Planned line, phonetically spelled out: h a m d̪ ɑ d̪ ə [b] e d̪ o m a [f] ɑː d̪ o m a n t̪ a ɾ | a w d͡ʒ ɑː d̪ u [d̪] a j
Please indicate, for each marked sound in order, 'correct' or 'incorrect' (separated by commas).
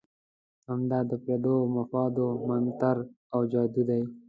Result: incorrect, correct, correct